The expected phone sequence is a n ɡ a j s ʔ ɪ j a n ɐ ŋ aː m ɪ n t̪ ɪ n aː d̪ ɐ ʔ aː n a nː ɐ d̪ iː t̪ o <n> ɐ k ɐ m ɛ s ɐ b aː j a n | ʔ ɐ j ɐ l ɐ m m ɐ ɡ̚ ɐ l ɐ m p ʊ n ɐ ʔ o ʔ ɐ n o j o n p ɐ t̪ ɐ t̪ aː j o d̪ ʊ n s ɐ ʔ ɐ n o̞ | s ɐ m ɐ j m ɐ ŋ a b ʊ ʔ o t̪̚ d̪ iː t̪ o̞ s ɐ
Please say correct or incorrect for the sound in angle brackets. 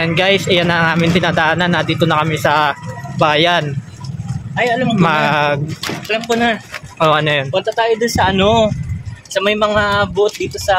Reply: correct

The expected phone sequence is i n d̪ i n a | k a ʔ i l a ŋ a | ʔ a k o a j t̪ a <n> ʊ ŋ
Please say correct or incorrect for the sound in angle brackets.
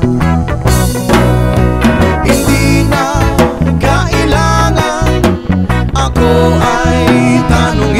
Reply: correct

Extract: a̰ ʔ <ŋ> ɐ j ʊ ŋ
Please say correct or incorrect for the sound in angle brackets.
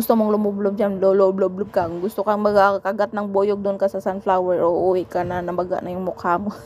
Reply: incorrect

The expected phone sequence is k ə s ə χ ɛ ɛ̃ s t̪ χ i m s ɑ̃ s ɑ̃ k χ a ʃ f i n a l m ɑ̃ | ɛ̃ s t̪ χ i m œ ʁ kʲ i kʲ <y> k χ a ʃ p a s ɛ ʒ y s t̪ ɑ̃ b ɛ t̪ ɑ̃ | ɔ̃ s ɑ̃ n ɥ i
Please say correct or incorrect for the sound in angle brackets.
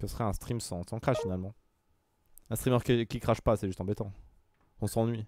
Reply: incorrect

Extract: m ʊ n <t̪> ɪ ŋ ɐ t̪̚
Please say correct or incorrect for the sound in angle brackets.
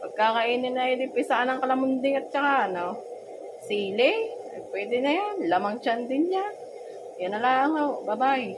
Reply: incorrect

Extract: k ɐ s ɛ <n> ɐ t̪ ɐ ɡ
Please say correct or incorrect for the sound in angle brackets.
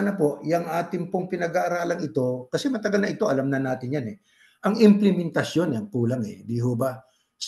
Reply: incorrect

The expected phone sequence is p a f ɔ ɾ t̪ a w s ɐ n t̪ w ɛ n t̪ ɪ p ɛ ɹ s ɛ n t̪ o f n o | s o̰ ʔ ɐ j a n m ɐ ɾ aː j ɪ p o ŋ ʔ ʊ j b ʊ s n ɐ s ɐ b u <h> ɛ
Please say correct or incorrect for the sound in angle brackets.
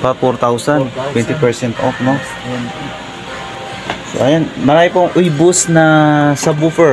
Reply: incorrect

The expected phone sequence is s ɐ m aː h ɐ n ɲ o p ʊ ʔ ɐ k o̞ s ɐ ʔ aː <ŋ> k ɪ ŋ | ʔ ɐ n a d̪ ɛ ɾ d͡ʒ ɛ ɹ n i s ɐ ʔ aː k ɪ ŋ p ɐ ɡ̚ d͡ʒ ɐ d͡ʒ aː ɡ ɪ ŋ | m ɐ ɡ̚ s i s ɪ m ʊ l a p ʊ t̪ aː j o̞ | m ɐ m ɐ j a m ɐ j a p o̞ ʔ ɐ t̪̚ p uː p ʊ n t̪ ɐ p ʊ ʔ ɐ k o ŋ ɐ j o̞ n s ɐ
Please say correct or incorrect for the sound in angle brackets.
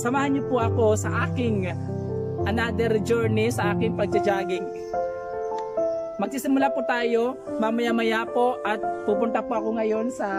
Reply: incorrect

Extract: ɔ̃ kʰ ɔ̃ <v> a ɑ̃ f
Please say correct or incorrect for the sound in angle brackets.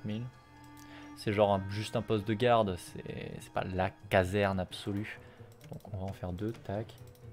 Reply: correct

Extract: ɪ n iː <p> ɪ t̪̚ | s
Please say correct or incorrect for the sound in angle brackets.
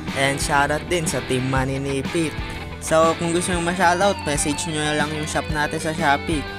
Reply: correct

